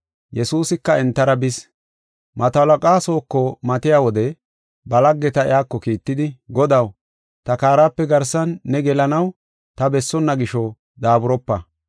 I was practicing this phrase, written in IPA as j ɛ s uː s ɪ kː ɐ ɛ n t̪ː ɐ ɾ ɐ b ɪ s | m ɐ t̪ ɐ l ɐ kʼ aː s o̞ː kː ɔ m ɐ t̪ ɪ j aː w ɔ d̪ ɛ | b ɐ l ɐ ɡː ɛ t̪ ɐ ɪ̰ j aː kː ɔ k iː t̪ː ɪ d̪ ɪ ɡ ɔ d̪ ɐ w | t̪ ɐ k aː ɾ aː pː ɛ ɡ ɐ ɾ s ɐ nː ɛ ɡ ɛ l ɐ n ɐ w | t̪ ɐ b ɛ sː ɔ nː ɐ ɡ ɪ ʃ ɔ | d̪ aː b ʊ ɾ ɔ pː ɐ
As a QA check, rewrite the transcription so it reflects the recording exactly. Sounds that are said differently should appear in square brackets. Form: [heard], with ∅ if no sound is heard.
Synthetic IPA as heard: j ɛ s uː s ɪ kː ɐ ɛ n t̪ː ɐ ɾ ɐ b ɪ s | m ɐ t̪ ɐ l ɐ kʼ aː s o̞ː kː ɔ m ɐ t̪ ɪ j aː w ɔ d̪ ɛ | b ɐ l ɐ ɡː ɛ t̪ ɐ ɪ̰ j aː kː ɔ k iː t̪ː ɪ d̪ ɪ ɡ ɔ d̪ ɐ w | t̪ ɐ k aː ɾ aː pː ɛ ɡ ɐ ɾ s ɐ nː ɛ ɡ ɛ l ɐ n ɐ w | t̪ ɐ b ɛ sː ɔ nː ɐ ɡ ɪ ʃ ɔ | d̪ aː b ʊ ɾ ɔ pː ɐ